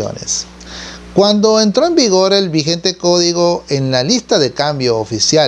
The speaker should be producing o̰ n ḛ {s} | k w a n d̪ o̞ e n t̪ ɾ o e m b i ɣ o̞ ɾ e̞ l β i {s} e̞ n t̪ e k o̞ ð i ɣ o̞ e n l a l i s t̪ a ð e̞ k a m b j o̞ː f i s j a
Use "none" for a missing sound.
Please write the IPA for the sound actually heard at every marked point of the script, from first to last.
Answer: s, x

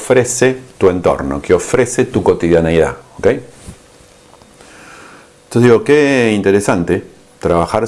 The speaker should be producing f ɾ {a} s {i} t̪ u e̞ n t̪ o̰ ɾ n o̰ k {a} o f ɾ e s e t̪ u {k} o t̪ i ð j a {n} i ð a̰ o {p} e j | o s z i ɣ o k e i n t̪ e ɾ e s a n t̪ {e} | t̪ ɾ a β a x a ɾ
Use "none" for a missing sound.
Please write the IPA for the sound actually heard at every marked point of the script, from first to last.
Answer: e, e, e, k, n, k, e

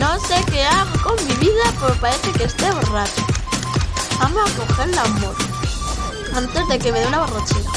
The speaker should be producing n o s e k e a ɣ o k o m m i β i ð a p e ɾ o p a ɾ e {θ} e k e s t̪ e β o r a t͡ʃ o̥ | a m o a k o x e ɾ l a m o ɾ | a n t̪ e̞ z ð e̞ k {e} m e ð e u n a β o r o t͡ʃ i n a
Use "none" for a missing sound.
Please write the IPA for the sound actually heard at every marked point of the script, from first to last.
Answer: θ, e

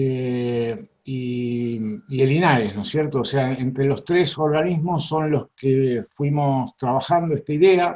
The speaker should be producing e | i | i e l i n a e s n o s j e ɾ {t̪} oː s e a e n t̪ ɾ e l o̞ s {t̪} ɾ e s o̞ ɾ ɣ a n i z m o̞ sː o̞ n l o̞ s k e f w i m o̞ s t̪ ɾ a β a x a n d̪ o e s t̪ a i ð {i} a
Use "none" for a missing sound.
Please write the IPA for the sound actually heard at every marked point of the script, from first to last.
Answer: t̪, t̪, e

